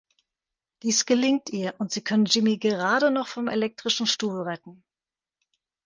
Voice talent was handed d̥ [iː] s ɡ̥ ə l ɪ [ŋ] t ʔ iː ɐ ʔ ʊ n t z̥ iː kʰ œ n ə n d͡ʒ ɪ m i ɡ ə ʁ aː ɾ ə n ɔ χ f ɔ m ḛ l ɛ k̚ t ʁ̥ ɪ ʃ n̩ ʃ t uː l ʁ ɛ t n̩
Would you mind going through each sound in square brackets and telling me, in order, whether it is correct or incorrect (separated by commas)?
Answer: correct, correct